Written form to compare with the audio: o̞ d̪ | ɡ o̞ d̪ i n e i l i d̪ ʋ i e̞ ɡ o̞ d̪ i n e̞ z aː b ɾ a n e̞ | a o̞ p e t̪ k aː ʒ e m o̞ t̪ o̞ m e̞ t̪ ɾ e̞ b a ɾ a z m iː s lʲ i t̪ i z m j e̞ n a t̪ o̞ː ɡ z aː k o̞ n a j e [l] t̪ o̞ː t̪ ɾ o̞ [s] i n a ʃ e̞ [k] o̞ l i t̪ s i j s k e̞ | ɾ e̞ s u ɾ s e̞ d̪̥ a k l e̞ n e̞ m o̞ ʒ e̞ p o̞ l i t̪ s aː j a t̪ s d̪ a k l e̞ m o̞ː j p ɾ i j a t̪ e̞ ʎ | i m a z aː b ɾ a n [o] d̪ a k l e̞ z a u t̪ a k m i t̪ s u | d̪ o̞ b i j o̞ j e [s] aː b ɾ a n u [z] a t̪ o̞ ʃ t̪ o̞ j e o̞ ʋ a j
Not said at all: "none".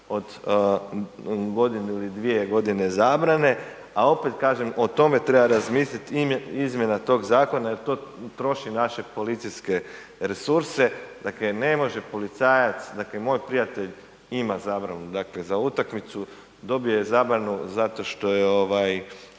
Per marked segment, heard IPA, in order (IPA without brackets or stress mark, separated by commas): ɾ, ʃ, p, u, z, z